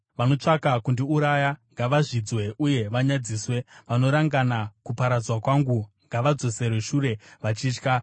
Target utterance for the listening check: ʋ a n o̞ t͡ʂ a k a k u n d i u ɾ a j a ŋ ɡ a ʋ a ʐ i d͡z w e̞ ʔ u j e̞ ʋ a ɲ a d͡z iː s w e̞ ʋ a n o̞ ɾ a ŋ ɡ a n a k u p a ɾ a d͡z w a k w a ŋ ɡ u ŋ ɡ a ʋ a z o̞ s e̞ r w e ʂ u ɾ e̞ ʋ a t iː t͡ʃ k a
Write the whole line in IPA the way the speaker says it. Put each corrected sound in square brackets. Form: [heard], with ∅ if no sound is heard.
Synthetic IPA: ʋ a n o̞ t͡ʂ a k a k u n d i u ɾ a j a ŋ ɡ a ʋ a ʐ i d͡z w e̞ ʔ u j e̞ ʋ a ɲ a d͡z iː s w e̞ ʋ a n o̞ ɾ a ŋ ɡ a n a k u p a ɾ a d͡z w a k w a ŋ ɡ u ŋ ɡ a ʋ a [d͡z] o̞ s e̞ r w e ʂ u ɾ e̞ ʋ a [t͡ʃ] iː t͡ʃ k a

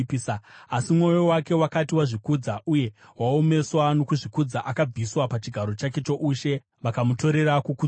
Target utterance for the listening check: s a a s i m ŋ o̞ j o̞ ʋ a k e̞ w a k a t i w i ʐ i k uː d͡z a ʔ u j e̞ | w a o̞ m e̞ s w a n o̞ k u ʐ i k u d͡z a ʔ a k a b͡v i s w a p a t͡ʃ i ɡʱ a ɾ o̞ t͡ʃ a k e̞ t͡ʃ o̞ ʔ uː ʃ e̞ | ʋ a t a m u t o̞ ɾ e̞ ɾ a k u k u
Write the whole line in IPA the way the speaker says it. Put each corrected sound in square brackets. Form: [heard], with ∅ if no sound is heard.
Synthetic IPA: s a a s i m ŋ o̞ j o̞ [w] a k e̞ w a k a t i w [a] ʐ i k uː d͡z a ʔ u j e̞ | w a o̞ m e̞ s w a n o̞ k u ʐ i k u d͡z a ʔ a k a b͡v i s w a p a t͡ʃ i ɡʱ a ɾ o̞ t͡ʃ a k e̞ t͡ʃ o̞ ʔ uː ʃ e̞ | ʋ a [k] a m u t o̞ ɾ e̞ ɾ a k u k u

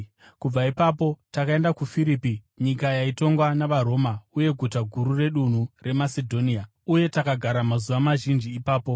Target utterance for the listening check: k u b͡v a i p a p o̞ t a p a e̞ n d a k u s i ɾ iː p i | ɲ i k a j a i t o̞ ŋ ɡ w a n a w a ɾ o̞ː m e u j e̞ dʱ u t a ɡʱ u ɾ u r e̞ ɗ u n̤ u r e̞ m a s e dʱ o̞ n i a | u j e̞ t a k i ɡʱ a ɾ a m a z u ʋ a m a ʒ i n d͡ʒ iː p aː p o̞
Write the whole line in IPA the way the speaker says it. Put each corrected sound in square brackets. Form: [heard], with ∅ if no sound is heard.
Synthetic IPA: k u b͡v a i p a p o̞ t a [k] a e̞ n d a k u [f] i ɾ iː p i | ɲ i k a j a i t o̞ ŋ ɡ w a n a [ʋ] a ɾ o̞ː m [a] u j e̞ [ɡʱ] u t a ɡʱ u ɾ u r e̞ ɗ u n̤ u r e̞ m a s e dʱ o̞ n i a | u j e̞ t a k [a] ɡʱ a ɾ a m a z u ʋ a m a ʒ i n d͡ʒ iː p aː p o̞

